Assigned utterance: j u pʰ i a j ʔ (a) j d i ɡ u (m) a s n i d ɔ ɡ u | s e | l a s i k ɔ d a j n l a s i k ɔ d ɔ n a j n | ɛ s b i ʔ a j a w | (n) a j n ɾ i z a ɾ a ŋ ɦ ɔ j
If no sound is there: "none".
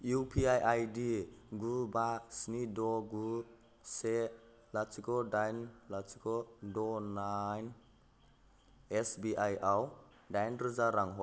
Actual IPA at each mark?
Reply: a, b, d

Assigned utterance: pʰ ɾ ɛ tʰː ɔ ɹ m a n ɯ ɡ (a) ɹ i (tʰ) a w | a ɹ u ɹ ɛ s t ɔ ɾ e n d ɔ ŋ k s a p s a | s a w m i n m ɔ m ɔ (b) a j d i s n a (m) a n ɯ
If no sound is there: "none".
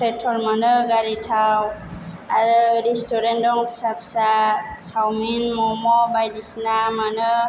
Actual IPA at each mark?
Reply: a, tʰ, b, m

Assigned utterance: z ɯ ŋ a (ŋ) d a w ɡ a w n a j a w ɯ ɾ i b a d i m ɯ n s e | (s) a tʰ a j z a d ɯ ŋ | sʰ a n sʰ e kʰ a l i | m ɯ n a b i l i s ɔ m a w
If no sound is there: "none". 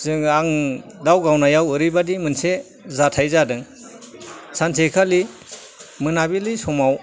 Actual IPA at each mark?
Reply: ŋ, z

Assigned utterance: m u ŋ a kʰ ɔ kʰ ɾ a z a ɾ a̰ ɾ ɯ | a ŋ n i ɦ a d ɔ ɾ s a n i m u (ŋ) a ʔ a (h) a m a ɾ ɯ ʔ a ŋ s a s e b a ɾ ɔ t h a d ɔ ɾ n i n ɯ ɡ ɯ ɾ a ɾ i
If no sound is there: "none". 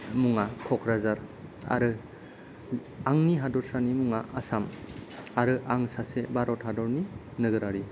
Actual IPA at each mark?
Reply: ŋ, s

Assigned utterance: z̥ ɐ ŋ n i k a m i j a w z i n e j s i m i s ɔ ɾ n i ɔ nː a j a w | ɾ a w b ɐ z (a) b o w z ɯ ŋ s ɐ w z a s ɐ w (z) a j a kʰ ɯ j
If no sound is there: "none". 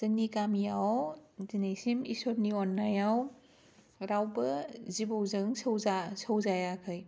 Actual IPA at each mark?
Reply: i, z

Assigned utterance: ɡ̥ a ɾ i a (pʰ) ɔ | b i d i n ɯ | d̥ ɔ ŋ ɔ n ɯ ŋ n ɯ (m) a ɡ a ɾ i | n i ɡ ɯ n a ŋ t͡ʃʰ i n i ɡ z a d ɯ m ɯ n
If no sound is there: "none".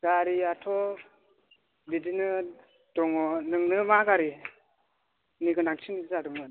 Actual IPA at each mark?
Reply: tʰ, m

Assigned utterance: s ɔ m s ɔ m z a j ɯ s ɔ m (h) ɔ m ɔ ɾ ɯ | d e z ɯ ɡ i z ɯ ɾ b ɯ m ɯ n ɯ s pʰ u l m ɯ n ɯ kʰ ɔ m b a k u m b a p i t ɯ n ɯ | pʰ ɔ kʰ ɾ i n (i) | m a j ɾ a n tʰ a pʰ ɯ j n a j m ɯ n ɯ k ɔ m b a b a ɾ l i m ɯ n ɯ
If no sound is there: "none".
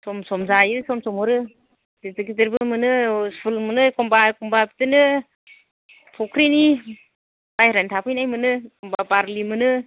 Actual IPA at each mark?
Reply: s, i

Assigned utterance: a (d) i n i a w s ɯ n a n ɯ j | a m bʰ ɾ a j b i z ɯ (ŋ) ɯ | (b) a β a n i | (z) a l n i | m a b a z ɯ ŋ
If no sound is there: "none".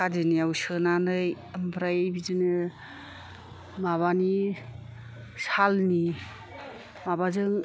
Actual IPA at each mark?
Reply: d, n, m, s

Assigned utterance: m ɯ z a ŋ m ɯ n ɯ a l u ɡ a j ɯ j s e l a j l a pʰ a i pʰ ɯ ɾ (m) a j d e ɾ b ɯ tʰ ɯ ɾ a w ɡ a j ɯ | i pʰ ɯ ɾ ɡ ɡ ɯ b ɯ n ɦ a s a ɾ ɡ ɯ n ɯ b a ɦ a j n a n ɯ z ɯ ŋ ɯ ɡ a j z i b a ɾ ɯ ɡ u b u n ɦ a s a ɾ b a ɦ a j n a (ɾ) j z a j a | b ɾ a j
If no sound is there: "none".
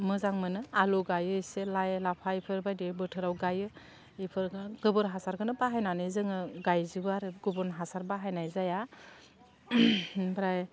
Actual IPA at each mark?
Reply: b, none

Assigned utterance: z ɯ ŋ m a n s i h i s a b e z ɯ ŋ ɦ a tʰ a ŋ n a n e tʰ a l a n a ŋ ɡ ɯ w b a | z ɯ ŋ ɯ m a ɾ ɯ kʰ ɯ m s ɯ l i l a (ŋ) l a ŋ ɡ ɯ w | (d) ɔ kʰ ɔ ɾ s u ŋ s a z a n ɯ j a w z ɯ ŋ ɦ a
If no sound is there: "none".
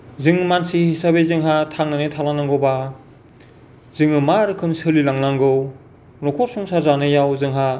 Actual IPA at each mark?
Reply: ŋ, n

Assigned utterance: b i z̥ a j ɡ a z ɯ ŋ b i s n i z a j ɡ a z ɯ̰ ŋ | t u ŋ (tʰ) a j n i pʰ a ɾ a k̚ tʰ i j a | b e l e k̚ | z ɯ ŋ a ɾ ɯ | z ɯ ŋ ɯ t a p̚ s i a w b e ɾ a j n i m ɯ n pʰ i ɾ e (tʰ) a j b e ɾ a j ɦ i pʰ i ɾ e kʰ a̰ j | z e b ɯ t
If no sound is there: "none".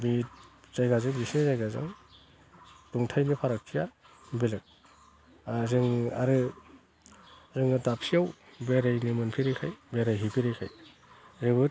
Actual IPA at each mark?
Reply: tʰ, kʰ

